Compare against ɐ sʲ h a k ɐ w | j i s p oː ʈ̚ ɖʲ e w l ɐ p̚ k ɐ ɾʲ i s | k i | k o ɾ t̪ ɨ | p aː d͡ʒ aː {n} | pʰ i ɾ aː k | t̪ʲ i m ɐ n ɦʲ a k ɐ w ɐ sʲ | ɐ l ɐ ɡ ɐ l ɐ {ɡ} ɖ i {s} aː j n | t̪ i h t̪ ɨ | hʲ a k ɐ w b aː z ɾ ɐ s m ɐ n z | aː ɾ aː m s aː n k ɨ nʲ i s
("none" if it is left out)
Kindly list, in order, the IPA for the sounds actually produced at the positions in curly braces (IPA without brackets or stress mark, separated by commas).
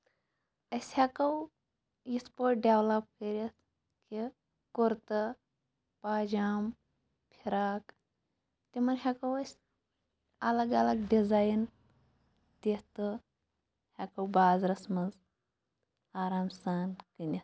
m, ɡ, z